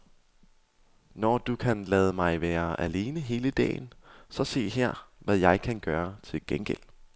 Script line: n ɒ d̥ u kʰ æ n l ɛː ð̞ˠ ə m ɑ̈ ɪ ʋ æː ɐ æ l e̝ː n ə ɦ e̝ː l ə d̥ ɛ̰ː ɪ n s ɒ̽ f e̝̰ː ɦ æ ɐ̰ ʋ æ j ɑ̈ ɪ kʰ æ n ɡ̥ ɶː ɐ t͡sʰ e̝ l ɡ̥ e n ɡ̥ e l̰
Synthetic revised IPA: n ɒ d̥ u kʰ æ n l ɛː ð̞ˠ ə m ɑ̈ ɪ ʋ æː ɐ æ l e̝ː n ə ɦ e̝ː l ə d̥ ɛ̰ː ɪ n s ɒ̽ s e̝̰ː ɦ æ ɐ̰ ʋ æ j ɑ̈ ɪ kʰ æ n ɡ̥ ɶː ɐ t͡sʰ e̝ l ɡ̥ e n ɡ̥ e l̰